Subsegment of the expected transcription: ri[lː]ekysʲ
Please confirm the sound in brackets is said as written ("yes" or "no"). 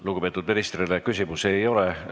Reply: no